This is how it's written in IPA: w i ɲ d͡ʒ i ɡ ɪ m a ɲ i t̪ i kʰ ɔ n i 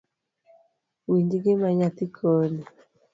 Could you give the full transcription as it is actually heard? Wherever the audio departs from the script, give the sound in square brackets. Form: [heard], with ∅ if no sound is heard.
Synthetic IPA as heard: w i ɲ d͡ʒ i ɡ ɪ m a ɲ [a] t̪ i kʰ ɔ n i